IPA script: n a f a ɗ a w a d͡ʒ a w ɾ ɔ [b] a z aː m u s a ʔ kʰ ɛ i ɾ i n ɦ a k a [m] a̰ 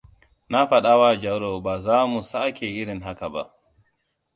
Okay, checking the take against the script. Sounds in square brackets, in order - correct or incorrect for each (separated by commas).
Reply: correct, incorrect